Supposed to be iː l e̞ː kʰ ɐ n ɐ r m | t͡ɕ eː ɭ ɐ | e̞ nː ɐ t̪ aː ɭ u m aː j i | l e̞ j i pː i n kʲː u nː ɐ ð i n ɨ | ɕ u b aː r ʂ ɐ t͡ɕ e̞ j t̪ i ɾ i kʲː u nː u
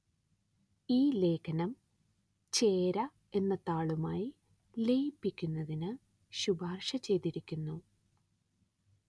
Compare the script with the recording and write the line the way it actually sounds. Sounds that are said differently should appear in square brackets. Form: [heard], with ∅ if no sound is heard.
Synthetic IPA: iː l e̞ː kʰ ɐ n ɐ [∅] m | t͡ɕ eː [ɾ] ɐ | e̞ nː ɐ t̪ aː ɭ u m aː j i | l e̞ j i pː i [∅] kʲː u nː ɐ ð i n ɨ | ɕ u b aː r ʂ ɐ t͡ɕ e̞ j t̪ i ɾ i kʲː u nː u